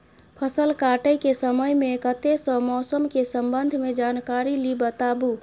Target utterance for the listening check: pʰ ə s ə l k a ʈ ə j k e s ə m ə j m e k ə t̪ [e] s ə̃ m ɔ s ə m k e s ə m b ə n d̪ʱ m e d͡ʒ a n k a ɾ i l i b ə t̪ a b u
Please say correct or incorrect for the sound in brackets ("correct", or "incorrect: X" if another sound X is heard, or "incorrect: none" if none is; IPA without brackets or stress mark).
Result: correct